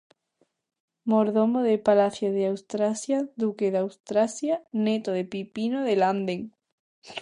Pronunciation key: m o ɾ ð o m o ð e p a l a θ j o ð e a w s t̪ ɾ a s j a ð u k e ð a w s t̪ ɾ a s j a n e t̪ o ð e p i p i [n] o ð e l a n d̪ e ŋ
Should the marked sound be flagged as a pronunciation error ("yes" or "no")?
no